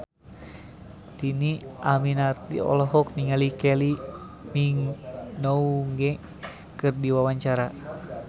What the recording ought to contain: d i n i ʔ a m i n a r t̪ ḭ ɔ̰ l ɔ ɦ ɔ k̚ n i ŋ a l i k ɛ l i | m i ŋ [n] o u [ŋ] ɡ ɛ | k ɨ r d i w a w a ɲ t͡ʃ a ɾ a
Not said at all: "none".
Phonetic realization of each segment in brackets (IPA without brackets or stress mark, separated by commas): n, ŋ